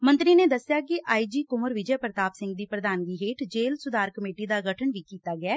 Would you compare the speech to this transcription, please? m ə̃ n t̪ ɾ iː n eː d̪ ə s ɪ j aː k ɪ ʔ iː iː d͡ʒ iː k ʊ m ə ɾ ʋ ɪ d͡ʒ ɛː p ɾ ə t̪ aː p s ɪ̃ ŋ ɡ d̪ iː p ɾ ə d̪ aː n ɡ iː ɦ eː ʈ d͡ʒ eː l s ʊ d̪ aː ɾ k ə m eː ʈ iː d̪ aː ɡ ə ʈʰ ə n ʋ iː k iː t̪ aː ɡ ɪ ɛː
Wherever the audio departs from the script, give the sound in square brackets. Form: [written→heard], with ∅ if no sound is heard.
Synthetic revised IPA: m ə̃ n t̪ ɾ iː n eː d̪ ə s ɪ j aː k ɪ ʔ [iː→aː] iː d͡ʒ iː k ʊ m ə ɾ ʋ ɪ d͡ʒ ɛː p ɾ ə t̪ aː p s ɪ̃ ŋ ɡ d̪ iː p ɾ ə d̪ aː n ɡ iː ɦ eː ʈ d͡ʒ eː l s ʊ d̪ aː ɾ k ə m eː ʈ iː d̪ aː ɡ ə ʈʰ ə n ʋ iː k iː t̪ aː ɡ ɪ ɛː